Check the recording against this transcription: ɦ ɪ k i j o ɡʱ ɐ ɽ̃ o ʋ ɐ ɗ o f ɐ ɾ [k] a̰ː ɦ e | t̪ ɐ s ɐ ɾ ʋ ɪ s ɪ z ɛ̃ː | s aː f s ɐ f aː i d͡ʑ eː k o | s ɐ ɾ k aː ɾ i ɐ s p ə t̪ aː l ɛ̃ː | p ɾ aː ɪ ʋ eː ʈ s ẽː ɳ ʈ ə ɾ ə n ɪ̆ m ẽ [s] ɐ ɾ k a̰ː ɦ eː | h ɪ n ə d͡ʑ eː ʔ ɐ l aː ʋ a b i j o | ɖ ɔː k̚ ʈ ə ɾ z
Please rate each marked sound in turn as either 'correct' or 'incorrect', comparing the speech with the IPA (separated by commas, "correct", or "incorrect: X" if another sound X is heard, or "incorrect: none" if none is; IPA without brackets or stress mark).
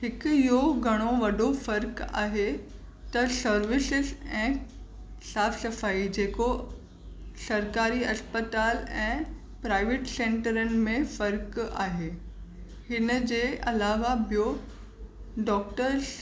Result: correct, incorrect: f